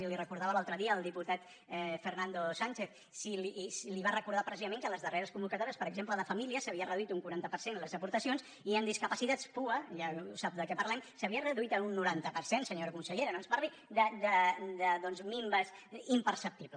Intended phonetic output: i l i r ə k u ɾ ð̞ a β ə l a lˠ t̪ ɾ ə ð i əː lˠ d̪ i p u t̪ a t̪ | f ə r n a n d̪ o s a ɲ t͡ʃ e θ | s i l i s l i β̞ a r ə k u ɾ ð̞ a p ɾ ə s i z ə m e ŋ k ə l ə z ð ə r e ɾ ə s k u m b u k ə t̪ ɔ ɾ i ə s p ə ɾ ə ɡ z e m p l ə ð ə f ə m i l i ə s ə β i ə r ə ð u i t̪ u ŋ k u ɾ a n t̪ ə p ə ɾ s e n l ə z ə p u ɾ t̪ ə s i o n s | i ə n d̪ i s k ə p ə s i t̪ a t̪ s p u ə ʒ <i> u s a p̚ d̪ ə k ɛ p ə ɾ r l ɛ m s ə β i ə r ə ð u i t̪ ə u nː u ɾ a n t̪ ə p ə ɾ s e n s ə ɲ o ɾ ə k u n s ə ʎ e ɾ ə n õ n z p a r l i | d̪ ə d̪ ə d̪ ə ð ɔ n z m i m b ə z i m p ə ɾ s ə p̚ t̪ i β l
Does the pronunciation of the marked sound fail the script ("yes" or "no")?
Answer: yes